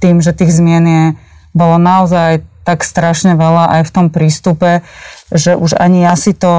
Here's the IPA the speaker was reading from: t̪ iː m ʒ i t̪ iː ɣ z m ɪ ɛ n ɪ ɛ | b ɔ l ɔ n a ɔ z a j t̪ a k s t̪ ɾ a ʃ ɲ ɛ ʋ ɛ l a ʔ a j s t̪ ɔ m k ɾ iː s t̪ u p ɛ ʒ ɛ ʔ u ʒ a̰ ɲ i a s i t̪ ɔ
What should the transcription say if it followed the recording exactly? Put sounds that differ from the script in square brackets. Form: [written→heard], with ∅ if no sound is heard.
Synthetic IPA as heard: t̪ iː m ʒ [i→ɛ] t̪ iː ɣ z m ɪ ɛ n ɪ ɛ | b ɔ l ɔ n a ɔ z a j t̪ a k s t̪ ɾ a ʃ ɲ ɛ ʋ ɛ l a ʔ a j [s→f] t̪ ɔ m [k→p] ɾ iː s t̪ u p ɛ ʒ ɛ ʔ u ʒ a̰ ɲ i a s i t̪ ɔ